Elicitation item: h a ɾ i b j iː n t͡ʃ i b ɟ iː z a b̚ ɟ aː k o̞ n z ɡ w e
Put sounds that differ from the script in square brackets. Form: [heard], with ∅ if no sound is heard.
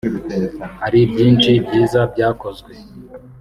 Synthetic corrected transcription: h a ɾ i b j iː n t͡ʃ i b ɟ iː z a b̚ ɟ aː k o̞ [∅] z ɡ w e